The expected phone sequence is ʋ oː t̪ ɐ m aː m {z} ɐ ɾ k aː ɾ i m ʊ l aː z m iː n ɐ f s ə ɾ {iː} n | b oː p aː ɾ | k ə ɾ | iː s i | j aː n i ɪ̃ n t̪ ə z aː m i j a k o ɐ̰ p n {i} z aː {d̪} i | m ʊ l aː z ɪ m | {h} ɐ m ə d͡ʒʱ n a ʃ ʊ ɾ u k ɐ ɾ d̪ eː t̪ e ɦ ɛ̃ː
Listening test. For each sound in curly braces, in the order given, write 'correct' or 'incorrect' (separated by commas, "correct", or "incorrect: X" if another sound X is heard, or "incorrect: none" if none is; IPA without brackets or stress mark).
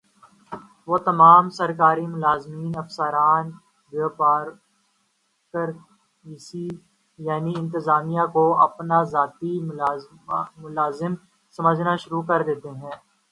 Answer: incorrect: s, incorrect: aː, incorrect: a, incorrect: t̪, incorrect: s